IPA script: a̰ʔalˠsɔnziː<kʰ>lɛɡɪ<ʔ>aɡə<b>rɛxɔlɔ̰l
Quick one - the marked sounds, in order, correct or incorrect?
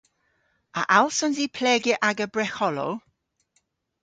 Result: incorrect: pʰ, correct, correct

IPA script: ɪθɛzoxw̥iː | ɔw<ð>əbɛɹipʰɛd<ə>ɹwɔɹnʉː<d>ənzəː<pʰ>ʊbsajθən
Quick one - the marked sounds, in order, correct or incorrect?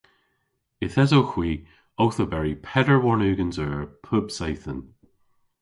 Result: incorrect: θ, correct, incorrect: ɡ, correct

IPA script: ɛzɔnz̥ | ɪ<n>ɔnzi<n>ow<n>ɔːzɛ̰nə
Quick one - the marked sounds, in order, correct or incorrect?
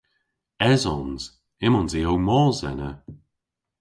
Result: incorrect: m, incorrect: none, incorrect: m

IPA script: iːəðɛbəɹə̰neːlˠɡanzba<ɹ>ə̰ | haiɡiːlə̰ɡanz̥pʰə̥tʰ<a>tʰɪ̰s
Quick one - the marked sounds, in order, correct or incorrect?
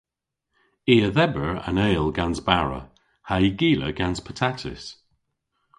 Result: correct, correct

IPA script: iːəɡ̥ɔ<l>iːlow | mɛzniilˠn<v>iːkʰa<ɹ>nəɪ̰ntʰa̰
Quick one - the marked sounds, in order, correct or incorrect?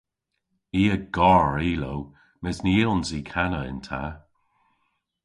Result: incorrect: ɹ, incorrect: z, incorrect: none

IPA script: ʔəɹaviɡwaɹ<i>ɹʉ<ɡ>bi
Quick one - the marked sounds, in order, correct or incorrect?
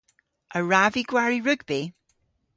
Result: correct, correct

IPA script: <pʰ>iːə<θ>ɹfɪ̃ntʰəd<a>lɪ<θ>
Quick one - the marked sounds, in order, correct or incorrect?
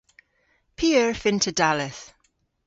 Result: correct, incorrect: none, correct, correct

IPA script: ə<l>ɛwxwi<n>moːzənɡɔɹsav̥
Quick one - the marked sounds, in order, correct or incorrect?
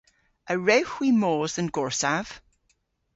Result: incorrect: ɹ, incorrect: none

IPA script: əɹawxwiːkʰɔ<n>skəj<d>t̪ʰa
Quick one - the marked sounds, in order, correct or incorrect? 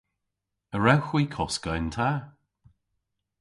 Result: incorrect: none, incorrect: n

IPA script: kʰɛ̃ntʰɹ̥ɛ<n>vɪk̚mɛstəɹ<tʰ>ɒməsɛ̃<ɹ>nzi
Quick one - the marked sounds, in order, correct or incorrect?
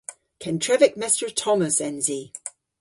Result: incorrect: none, correct, incorrect: none

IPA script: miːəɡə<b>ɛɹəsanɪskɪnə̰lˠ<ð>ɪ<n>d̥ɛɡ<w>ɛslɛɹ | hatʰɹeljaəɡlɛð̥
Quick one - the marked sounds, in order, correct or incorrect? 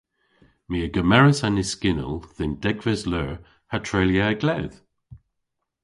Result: incorrect: m, correct, correct, incorrect: v

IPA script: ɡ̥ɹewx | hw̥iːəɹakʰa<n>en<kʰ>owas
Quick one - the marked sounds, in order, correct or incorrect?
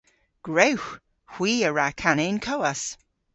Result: correct, correct

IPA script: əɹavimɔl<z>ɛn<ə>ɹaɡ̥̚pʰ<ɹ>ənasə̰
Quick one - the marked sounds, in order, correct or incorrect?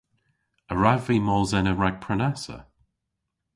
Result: correct, correct, correct

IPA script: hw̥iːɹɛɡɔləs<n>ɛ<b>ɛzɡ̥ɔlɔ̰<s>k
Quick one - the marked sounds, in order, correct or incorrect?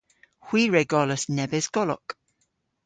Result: correct, correct, incorrect: none

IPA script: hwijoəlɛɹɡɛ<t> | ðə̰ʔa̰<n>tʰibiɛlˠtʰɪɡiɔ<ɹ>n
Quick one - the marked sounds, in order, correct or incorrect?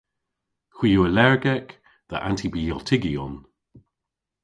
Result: incorrect: k, correct, incorrect: none

